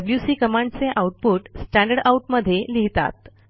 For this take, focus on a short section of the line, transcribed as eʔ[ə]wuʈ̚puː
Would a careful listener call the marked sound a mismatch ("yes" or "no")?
yes